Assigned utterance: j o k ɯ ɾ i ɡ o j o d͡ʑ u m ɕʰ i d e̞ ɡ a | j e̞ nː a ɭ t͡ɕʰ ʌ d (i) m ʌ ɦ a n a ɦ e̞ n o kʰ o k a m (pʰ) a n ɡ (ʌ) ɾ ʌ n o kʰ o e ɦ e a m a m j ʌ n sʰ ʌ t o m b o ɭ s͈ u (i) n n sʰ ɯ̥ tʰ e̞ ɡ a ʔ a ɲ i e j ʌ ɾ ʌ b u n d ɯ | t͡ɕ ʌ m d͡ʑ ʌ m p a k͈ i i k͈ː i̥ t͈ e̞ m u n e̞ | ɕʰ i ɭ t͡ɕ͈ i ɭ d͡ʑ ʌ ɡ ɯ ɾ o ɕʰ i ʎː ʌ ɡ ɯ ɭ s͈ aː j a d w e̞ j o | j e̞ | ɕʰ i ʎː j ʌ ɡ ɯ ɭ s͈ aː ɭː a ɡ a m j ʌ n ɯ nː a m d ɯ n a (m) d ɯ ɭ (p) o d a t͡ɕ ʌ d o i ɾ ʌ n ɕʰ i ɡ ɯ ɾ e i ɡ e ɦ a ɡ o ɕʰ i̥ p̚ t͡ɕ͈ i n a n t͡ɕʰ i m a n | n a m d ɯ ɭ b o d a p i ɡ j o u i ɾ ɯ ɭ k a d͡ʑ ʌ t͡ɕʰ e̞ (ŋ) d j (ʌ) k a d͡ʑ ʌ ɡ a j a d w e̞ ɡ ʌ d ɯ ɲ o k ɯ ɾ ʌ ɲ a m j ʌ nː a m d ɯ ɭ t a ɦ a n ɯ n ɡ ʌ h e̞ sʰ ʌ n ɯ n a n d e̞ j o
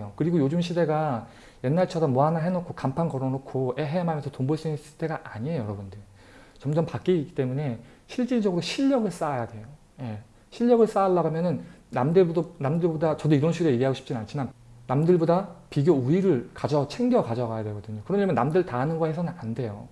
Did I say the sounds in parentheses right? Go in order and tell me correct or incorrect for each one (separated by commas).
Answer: incorrect, correct, correct, correct, correct, incorrect, correct, correct